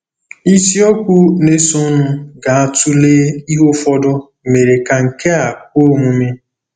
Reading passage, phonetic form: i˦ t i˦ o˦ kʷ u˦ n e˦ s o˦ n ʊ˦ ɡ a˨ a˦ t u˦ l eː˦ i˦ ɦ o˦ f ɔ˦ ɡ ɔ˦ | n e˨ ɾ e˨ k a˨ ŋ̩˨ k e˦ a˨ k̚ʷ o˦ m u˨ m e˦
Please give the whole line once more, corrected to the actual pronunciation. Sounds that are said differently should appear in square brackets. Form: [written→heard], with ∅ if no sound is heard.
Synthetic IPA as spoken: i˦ [t→s] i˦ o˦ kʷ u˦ n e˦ s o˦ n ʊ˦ ɡ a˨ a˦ t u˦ l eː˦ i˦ ɦ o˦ f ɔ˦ [ɡ→d] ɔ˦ | [n→m] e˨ ɾ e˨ k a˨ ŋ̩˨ k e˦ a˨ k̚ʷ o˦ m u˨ m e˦

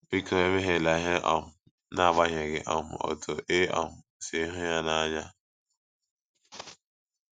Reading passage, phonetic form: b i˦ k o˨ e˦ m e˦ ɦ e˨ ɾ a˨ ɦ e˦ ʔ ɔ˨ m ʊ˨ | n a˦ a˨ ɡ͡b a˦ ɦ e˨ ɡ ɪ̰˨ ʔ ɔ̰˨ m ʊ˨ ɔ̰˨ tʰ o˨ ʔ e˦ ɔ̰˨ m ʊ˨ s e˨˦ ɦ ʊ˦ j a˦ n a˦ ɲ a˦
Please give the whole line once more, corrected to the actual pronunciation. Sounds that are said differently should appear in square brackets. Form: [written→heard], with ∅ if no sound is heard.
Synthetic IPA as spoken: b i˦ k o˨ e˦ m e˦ ɦ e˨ [ɾ→l] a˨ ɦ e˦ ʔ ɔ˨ m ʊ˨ | n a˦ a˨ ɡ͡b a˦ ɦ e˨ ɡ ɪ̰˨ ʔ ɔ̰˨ m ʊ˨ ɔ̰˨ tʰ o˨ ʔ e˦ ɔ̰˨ m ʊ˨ s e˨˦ ɦ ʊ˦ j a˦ n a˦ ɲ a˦

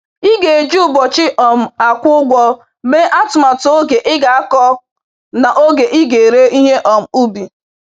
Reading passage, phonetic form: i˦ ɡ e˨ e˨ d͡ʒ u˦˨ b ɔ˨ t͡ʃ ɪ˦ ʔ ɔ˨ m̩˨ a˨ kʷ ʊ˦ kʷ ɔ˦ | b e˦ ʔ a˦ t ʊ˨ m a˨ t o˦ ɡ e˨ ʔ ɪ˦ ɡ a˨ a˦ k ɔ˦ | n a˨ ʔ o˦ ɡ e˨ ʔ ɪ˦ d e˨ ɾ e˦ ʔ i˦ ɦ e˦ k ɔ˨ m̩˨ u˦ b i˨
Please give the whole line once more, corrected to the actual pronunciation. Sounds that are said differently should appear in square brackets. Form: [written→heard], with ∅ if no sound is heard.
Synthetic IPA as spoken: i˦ ɡ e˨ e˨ d͡ʒ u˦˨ b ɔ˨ t͡ʃ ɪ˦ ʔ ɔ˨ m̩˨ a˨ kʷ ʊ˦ [kʷ→ɡʷ] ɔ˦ | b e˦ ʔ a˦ t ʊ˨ m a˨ t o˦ ɡ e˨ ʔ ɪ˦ ɡ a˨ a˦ k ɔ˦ | n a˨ ʔ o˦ ɡ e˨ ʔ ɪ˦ [d→ɡ] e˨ ɾ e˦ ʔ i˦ ɦ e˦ [k→ʔ] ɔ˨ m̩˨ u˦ b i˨

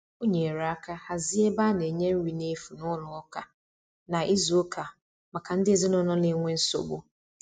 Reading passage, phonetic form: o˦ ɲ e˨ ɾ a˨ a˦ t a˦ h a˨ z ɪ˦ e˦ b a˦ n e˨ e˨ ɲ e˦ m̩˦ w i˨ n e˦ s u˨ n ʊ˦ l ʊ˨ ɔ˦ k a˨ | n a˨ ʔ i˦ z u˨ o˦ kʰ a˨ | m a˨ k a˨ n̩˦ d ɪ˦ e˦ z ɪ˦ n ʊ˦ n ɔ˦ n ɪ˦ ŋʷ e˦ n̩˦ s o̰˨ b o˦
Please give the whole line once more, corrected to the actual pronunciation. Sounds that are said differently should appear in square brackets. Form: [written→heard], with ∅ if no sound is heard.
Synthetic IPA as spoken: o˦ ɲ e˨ ɾ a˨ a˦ [t→k] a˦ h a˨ z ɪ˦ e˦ b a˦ n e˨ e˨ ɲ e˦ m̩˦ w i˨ n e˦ [s→f] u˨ n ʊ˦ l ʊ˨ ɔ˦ k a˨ | n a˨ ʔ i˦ z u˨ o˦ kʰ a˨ | m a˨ k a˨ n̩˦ d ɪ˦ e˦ z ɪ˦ n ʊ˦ n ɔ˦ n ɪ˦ ŋʷ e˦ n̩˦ s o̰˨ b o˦

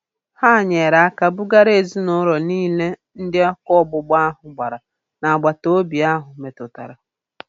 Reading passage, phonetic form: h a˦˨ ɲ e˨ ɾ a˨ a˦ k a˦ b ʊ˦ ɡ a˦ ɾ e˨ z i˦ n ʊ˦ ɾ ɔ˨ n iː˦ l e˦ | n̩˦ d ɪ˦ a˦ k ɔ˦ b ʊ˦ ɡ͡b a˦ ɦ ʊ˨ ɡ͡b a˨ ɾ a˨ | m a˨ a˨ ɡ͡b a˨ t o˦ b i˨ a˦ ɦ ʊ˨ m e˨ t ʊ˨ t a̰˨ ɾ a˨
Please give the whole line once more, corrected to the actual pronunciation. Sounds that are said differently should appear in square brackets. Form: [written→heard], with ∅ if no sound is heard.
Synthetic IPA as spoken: h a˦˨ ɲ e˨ ɾ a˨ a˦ k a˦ b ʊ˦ ɡ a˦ ɾ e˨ z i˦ n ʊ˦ ɾ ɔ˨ n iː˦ l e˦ | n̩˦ d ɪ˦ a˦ k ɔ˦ b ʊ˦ ɡ͡b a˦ ɦ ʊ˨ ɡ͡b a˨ ɾ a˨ | [m→n] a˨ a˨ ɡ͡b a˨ t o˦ b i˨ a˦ ɦ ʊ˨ m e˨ t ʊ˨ t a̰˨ ɾ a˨

